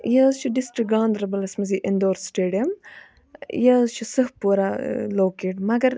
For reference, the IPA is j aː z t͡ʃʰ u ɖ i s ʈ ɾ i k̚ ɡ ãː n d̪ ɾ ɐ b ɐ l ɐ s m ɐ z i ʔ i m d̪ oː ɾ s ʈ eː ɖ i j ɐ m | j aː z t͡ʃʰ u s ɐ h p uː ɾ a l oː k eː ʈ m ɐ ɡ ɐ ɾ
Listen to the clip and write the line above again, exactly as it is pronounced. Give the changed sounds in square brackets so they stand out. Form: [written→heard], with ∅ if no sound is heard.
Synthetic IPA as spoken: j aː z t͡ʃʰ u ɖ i s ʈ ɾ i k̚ ɡ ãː n d̪ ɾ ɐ b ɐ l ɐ s m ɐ z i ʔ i [m→n] d̪ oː ɾ s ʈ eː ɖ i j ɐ m | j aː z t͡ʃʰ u s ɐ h p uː ɾ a l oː k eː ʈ m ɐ ɡ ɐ ɾ